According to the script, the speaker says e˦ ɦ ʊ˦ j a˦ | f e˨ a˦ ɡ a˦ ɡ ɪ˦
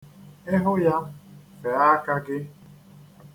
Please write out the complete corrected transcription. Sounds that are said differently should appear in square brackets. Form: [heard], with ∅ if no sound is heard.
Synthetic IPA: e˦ ɦ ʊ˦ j a˦ | f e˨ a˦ [k] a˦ ɡ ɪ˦